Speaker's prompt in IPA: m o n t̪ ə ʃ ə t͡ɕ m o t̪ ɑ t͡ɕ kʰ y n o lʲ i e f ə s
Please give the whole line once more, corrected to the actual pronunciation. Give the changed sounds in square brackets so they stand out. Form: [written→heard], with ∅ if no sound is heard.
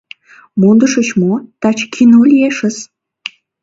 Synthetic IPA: m o n [t̪→d̪] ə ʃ ə t͡ɕ m o t̪ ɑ t͡ɕ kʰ [y→i] n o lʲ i e [f→ʃ] ə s